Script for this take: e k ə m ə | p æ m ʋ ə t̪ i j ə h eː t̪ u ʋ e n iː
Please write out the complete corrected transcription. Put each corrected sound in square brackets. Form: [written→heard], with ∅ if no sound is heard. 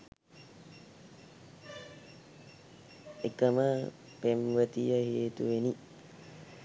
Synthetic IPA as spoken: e k ə m ə | p [æ→e] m ʋ ə t̪ i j ə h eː t̪ u ʋ e n [iː→i]